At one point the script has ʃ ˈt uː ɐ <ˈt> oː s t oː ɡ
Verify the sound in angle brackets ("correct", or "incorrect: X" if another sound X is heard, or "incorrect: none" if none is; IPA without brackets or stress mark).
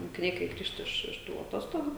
correct